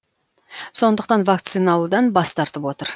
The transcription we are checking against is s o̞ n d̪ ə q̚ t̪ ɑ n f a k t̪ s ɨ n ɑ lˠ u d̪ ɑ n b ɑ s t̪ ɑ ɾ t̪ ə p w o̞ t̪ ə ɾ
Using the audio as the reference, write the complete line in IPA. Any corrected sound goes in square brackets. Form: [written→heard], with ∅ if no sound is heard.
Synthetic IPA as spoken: s o̞ n d̪ ə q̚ t̪ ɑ n [f→v] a k t̪ s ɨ n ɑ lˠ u d̪ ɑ n b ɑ s t̪ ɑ ɾ t̪ ə p w o̞ t̪ ə ɾ

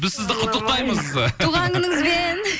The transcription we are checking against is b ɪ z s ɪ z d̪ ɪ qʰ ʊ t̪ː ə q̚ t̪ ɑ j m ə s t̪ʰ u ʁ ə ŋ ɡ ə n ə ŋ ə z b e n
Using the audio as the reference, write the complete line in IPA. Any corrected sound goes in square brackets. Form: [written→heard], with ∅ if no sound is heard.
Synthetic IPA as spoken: b ɪ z s ɪ z d̪ ɪ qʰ ʊ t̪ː ə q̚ t̪ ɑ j m ə [s→z] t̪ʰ u ʁ [ə→ɑ] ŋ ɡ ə n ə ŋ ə z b e n

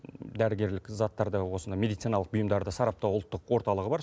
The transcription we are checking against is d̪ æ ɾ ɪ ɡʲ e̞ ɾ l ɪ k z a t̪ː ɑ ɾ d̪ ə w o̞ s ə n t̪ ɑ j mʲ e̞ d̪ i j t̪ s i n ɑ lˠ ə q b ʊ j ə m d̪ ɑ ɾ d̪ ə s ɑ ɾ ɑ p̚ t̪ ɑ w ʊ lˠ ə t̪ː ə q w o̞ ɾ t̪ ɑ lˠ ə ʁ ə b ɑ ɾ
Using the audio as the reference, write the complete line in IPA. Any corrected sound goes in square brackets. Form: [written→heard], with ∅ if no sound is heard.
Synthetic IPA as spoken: d̪ æ ɾ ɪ ɡʲ e̞ ɾ l ɪ k z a t̪ː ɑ ɾ d̪ ə w o̞ s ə n [t̪→d̪] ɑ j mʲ e̞ d̪ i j t̪ s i n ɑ lˠ ə q b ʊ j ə m d̪ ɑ ɾ d̪ ə s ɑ ɾ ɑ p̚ t̪ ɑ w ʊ lˠ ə t̪ː ə q w o̞ ɾ t̪ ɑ lˠ ə ʁ ə b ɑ ɾ

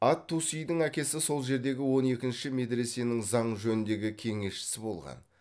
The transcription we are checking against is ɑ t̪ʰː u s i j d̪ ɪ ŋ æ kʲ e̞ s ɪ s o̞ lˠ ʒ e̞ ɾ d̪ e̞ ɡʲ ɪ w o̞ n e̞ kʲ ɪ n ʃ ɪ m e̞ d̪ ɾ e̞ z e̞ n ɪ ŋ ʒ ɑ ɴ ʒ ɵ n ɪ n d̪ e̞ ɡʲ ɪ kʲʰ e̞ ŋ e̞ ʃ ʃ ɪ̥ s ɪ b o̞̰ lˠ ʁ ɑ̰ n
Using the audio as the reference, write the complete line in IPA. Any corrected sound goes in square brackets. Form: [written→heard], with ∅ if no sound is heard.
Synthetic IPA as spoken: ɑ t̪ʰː u s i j d̪ ɪ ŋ æ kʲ e̞ s ɪ s o̞ lˠ ʒ e̞ ɾ d̪ e̞ ɡʲ ɪ w o̞ n e̞ kʲ ɪ n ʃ ɪ m e̞ d̪ ɾ e̞ [z→s] e̞ n ɪ ŋ [ʒ→z] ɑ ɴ ʒ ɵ n ɪ n d̪ e̞ ɡʲ ɪ kʲʰ e̞ ŋ e̞ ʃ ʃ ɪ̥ s ɪ b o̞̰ lˠ ʁ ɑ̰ n

